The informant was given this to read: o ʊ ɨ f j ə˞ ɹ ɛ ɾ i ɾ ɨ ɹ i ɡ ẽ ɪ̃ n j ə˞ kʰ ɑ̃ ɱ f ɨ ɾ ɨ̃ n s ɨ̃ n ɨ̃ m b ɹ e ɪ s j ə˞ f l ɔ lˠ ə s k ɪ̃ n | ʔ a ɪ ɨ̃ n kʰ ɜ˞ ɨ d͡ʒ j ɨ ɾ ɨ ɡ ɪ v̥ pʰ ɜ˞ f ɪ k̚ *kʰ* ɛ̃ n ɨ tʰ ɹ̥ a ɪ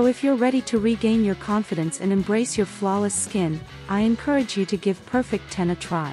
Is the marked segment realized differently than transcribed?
yes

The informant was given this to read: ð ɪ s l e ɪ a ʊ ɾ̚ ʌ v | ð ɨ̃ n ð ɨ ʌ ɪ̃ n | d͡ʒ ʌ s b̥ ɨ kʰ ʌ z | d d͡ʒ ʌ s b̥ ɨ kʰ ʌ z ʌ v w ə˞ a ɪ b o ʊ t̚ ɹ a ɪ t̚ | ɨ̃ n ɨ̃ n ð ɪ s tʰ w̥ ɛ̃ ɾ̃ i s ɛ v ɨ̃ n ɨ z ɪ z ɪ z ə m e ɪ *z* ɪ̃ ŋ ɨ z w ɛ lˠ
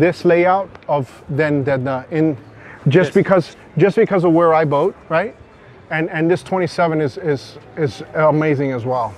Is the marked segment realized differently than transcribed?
no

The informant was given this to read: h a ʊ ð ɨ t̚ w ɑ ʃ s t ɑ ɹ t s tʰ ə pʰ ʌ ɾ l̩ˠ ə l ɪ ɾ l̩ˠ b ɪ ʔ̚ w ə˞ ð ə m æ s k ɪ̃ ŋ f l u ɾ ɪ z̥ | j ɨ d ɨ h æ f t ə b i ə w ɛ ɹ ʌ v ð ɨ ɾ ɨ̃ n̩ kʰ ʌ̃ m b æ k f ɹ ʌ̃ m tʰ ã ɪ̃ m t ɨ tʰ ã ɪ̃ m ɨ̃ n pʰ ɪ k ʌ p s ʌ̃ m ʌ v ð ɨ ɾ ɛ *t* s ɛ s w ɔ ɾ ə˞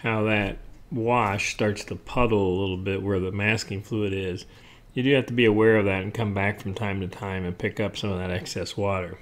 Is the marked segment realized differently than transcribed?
yes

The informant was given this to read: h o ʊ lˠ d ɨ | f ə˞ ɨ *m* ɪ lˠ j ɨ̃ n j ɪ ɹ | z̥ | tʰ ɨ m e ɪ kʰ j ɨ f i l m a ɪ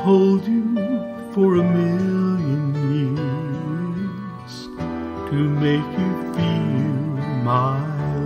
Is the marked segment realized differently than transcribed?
no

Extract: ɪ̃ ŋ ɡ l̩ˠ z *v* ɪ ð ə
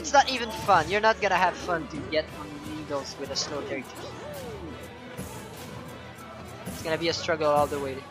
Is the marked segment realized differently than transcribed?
yes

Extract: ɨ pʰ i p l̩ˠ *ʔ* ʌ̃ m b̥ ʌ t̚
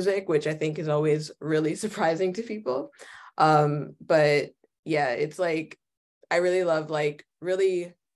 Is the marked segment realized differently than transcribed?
no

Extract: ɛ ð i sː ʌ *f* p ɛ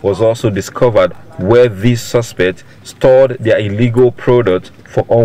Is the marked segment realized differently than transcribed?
yes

